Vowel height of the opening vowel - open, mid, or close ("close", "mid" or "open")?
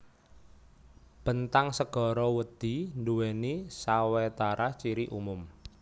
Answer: mid